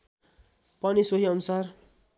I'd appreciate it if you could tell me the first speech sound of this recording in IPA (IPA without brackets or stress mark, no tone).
p